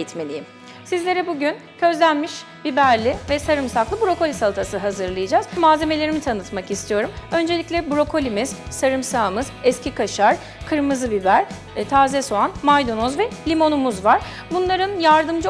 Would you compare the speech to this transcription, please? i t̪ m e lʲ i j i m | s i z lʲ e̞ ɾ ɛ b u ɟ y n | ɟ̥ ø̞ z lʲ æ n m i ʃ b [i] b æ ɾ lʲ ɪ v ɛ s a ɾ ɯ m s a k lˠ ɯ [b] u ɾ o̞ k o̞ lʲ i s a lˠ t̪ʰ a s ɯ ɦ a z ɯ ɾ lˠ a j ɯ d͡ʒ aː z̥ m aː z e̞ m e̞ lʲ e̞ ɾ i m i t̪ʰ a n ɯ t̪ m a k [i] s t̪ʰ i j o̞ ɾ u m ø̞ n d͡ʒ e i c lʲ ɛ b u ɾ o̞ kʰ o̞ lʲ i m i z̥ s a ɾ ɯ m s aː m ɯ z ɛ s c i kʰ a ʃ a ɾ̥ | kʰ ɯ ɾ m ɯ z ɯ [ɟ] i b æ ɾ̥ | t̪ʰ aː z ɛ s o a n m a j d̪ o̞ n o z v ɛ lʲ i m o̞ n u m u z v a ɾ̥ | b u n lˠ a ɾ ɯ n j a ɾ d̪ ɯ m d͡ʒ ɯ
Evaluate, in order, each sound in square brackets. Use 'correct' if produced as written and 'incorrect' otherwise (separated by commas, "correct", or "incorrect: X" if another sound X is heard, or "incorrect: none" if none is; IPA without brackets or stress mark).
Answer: correct, correct, correct, incorrect: b